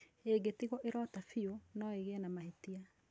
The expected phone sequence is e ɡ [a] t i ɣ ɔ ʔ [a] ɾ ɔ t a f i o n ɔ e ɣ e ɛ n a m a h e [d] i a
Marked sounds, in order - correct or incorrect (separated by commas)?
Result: incorrect, incorrect, incorrect